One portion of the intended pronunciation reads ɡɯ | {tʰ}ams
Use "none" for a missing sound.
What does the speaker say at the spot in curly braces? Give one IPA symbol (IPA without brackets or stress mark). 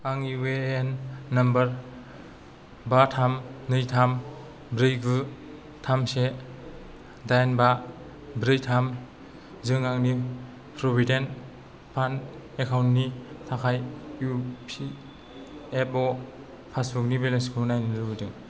tʰ